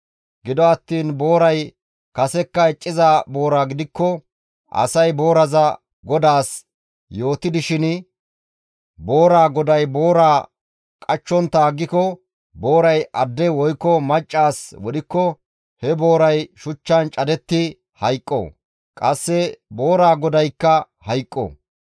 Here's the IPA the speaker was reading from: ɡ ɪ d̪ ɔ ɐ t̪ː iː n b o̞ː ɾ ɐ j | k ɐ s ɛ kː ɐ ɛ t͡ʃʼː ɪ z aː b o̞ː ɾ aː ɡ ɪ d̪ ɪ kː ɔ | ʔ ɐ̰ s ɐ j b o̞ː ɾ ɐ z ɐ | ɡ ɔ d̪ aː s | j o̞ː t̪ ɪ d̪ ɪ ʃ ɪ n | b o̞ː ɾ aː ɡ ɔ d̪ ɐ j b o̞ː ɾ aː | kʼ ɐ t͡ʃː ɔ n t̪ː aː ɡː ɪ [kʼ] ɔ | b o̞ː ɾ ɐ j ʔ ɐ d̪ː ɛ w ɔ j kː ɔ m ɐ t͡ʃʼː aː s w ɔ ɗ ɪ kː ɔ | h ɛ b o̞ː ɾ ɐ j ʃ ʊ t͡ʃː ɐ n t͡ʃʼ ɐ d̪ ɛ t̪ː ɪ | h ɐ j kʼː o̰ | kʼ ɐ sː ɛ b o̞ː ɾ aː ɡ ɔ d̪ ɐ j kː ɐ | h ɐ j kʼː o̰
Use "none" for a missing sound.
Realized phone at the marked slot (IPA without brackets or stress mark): k